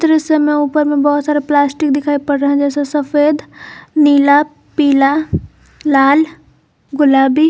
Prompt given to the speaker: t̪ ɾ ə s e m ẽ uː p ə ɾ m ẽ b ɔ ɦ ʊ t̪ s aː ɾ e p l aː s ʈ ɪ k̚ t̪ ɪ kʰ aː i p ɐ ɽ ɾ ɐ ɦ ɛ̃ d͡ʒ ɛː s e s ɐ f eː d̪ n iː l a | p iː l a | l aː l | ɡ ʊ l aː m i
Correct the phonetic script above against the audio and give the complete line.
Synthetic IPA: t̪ ɾ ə s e m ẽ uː p ə ɾ m ẽ b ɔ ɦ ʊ t̪ s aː ɾ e p l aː s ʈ ɪ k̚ d̪ ɪ kʰ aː i p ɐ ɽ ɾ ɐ ɦ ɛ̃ d͡ʒ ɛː s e s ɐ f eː d̪ n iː l a | p iː l a | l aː l | ɡ ʊ l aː b i